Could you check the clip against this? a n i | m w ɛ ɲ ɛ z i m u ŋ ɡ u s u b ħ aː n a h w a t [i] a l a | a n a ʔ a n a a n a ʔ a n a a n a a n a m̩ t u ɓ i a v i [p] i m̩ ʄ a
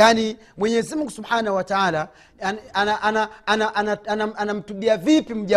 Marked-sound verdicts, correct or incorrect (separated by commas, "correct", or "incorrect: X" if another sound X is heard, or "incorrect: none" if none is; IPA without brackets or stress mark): incorrect: a, correct